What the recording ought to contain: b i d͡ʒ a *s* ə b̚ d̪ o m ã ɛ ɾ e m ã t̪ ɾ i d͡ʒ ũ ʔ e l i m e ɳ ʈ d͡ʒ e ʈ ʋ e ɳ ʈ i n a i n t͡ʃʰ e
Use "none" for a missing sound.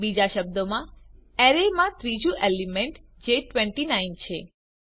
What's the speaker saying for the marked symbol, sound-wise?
ʃ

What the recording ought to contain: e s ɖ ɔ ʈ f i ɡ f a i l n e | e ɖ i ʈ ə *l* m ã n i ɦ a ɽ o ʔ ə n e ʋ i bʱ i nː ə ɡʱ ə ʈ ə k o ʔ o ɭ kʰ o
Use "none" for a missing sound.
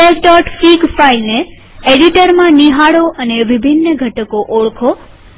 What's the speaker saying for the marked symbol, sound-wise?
ɾ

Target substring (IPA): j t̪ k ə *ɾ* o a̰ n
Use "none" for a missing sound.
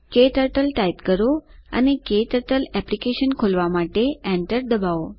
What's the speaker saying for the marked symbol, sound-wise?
ɾ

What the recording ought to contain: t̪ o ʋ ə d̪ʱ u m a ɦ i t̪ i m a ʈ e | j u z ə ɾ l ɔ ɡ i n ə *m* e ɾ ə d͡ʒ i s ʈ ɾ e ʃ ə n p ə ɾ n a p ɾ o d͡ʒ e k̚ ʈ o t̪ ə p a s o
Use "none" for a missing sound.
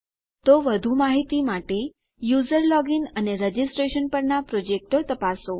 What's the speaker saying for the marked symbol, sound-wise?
n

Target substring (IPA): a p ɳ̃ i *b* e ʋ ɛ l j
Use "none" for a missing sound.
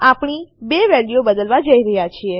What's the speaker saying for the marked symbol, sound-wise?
b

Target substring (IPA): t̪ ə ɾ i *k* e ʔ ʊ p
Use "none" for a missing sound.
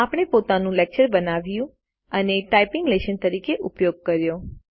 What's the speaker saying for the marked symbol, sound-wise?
k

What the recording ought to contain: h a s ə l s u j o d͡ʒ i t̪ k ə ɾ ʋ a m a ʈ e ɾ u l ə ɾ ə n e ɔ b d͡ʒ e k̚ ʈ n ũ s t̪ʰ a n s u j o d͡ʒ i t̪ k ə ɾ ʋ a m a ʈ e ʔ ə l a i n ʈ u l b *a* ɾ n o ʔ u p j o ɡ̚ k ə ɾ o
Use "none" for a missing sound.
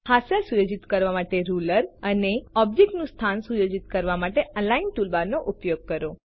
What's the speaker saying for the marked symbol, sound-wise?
a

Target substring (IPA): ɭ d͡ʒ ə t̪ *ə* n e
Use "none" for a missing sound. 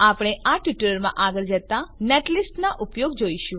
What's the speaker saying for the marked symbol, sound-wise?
a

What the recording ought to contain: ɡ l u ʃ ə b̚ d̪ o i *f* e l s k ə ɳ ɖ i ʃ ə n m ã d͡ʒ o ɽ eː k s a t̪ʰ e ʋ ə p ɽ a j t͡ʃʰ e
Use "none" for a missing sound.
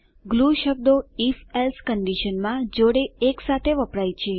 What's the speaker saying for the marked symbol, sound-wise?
f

